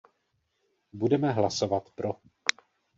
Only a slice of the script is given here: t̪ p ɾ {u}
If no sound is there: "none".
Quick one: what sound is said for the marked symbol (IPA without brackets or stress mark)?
o